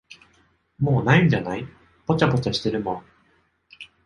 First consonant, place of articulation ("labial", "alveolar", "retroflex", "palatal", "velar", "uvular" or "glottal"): labial